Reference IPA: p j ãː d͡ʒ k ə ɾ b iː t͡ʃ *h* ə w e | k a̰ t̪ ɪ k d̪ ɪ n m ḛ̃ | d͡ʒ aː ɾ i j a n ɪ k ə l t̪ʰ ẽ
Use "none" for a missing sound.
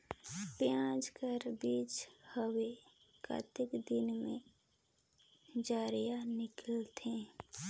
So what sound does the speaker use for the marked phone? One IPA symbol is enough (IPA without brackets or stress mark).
h